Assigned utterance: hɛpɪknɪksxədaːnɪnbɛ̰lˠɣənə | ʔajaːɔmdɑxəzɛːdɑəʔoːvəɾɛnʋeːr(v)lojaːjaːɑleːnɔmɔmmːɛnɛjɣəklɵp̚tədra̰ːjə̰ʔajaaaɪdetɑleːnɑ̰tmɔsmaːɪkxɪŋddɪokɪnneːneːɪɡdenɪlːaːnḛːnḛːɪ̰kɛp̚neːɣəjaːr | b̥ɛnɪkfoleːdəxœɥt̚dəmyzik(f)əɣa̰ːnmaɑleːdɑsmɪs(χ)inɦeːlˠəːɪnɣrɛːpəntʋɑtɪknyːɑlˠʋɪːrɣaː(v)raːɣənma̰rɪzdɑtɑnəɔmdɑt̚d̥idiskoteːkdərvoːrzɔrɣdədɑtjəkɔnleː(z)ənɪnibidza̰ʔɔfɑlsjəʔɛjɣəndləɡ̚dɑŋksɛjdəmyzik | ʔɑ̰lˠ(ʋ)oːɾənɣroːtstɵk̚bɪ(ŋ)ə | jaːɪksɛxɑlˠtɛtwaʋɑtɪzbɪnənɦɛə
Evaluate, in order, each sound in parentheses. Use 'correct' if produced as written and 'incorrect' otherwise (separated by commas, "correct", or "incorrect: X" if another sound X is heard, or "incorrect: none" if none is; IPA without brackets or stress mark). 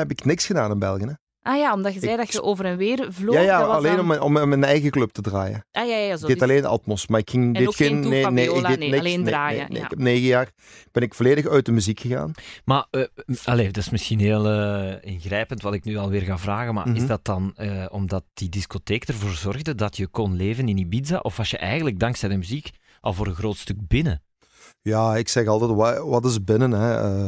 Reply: correct, incorrect: x, incorrect: x, correct, incorrect: v, incorrect: v, incorrect: n